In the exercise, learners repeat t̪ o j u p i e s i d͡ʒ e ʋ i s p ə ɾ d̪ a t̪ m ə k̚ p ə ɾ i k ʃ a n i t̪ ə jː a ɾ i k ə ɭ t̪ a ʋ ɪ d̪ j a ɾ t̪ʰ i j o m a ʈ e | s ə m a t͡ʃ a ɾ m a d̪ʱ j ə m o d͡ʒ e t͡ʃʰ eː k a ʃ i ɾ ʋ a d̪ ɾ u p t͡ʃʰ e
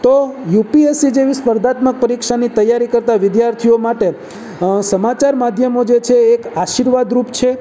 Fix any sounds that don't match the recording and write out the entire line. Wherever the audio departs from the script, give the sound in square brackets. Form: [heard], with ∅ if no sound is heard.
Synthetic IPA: t̪ o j u p i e s i d͡ʒ e ʋ i s p ə ɾ d̪ a t̪ m ə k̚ p ə ɾ i k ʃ a n i t̪ ə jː a ɾ i k ə [ɾ] t̪ a ʋ ɪ d̪ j a ɾ t̪ʰ i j o m a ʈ e | s ə m a t͡ʃ a ɾ m a d̪ʱ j ə m o d͡ʒ e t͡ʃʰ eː k a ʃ i ɾ ʋ a d̪ ɾ u p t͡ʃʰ e